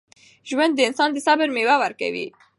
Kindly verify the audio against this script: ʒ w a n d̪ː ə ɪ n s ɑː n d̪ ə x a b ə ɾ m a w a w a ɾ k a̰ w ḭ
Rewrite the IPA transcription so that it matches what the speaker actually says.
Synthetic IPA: ʒ w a n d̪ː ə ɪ n s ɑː n d̪ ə s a b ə ɾ m e w a w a ɾ k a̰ w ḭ